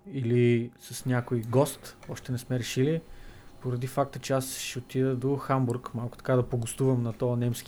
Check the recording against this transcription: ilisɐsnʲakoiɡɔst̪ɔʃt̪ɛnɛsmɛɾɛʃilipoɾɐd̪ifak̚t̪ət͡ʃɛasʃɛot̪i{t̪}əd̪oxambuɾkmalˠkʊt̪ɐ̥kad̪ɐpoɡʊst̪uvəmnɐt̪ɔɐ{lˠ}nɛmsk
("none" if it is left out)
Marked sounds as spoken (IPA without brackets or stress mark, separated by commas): d̪, none